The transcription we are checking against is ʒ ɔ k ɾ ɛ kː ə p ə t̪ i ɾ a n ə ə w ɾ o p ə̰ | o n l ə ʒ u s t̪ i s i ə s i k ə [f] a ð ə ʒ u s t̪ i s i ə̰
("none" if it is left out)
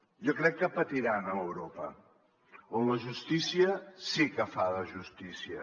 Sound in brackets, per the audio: f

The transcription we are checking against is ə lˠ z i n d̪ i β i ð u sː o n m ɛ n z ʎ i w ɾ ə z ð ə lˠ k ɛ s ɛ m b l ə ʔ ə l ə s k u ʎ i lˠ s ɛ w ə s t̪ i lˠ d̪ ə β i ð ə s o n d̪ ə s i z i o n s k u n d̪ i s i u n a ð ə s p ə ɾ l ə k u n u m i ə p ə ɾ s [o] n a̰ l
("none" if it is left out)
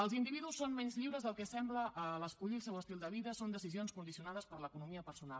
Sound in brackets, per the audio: u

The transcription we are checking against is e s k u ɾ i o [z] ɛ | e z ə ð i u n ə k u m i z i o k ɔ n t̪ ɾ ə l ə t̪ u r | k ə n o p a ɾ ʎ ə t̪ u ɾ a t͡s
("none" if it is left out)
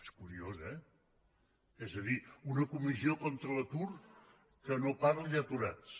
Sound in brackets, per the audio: z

